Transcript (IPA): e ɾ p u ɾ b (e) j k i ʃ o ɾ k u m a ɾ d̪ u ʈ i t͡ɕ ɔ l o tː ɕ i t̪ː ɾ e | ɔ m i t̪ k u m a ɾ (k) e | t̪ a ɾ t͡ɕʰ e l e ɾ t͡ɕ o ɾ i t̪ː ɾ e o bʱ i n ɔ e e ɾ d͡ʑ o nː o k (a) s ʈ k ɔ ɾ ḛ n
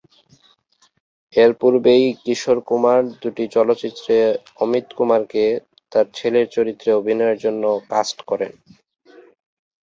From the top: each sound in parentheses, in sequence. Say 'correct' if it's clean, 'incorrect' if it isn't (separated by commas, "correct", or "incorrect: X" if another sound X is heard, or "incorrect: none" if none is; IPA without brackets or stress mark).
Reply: correct, correct, correct